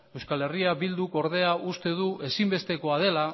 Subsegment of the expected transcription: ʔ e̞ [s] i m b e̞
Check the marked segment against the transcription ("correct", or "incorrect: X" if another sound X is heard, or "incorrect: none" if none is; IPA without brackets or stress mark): correct